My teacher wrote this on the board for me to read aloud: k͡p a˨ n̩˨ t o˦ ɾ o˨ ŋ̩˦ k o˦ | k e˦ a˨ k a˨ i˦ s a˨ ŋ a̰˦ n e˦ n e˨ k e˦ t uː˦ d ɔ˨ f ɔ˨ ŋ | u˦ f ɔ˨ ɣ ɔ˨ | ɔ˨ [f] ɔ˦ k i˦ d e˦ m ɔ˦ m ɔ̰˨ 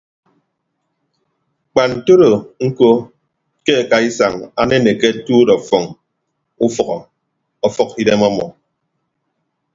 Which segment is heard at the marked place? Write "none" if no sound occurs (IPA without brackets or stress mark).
f